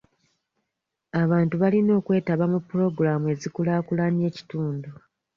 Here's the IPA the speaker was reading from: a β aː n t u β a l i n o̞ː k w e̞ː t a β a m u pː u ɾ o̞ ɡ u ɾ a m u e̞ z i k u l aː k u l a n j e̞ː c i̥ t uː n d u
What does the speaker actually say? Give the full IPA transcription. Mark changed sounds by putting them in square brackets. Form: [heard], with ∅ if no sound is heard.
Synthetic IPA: a β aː n t u β a l i n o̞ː k w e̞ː t a β a m u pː u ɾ o̞ ɡ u ɾ a m u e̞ z i k u l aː k u l a n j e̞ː c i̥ t uː n d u